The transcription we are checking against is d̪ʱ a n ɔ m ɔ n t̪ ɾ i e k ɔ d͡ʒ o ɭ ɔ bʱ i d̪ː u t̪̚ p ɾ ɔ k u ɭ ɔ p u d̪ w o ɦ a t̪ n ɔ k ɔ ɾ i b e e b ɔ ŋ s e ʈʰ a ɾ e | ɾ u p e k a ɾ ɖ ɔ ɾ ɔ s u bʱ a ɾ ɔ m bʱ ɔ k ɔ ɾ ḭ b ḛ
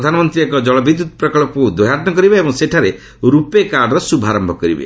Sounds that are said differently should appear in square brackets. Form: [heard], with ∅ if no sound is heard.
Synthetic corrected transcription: d̪ʱ a n ɔ m ɔ n t̪ ɾ i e k ɔ d͡ʒ [ɔ] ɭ ɔ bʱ i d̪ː u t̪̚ p ɾ ɔ k [ɔ] ɭ ɔ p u d̪ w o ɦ a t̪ n ɔ k ɔ ɾ i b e e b ɔ ŋ s e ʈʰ a ɾ e | ɾ u p e k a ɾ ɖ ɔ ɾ ɔ s u bʱ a ɾ ɔ m bʱ ɔ k ɔ ɾ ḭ b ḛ